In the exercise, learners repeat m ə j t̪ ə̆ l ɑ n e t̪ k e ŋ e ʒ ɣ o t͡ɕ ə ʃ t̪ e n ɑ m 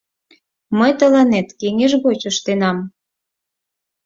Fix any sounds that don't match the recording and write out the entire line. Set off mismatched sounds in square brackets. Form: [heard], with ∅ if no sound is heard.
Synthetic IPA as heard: m ə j t̪ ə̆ l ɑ n e t̪ k e ŋ e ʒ ɣ o t͡ɕ ə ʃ t̪ e n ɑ m